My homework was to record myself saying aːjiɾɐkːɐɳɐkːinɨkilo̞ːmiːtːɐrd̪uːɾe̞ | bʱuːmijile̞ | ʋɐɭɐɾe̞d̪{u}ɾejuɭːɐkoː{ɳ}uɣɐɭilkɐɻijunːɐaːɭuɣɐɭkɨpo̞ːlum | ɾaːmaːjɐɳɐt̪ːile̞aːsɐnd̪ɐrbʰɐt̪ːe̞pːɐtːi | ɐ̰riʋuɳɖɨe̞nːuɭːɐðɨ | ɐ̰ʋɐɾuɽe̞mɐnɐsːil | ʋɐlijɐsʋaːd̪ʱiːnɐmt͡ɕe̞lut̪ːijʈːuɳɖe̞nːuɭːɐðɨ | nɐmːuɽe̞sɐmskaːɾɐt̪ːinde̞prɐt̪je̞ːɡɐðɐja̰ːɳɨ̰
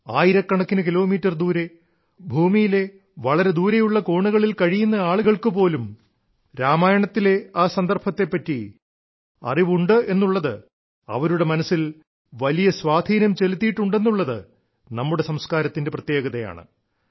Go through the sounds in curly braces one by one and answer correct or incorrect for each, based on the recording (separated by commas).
incorrect, correct